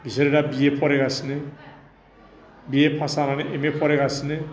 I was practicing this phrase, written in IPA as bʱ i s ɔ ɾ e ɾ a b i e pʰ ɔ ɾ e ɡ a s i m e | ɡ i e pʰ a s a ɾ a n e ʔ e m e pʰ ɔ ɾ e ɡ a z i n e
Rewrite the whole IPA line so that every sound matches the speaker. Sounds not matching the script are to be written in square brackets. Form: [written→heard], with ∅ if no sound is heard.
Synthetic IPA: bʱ i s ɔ ɾ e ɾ a b i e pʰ ɔ ɾ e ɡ a s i [m→n] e | [ɡ→b] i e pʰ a s a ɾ a n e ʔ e m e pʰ ɔ ɾ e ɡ a [z→s] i n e